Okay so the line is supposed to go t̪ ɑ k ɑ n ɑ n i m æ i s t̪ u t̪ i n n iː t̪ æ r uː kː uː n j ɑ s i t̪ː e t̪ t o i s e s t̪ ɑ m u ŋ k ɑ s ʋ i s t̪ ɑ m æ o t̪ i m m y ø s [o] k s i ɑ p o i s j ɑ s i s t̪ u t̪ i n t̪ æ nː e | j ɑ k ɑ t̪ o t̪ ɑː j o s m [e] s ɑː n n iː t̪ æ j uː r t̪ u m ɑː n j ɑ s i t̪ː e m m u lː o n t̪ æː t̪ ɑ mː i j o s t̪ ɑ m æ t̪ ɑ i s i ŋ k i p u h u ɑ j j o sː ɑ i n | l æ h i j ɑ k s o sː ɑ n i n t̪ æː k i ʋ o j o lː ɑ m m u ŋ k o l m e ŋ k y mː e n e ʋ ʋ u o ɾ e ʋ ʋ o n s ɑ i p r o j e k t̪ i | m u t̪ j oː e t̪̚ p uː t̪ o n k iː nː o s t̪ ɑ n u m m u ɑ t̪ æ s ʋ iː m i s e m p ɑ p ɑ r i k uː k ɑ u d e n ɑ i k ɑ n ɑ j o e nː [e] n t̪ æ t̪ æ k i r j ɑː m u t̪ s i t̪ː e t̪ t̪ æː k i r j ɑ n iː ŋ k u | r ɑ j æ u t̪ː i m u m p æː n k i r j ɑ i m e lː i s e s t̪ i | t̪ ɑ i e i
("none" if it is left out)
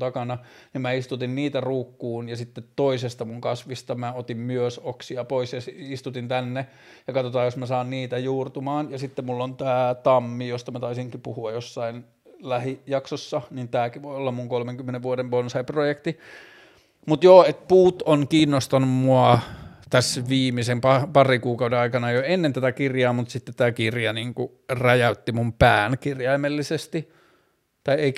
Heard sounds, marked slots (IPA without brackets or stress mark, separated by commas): o, æ, e